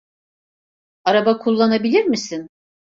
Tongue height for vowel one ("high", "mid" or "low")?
low